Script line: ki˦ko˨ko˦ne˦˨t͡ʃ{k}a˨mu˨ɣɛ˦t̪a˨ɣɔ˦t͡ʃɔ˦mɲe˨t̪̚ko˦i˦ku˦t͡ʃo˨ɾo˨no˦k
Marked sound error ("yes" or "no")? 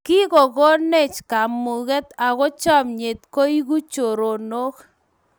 no